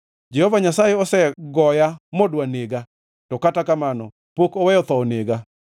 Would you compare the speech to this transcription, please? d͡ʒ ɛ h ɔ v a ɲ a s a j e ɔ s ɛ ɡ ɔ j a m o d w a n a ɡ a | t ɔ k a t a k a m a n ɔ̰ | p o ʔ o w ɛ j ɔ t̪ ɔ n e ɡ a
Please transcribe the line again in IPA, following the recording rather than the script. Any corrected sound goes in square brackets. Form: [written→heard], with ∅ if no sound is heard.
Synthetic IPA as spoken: d͡ʒ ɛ h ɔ v a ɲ a s a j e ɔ s ɛ ɡ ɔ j a m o d w a n [a→e] ɡ a | t ɔ k a t a k a m a n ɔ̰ | p o [ʔ→k] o w ɛ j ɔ t̪ ɔ n e ɡ a